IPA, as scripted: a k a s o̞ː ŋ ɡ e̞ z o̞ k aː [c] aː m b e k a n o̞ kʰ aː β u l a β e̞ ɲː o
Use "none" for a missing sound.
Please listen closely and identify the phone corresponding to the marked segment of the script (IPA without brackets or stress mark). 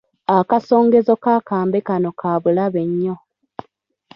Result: k